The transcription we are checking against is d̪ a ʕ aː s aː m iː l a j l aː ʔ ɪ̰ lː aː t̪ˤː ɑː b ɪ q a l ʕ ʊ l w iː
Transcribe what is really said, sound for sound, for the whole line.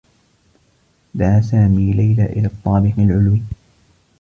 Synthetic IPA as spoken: d̪ a ʕ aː s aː m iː l a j l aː ʔ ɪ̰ l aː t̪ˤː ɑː b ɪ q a l ʕ ʊ l w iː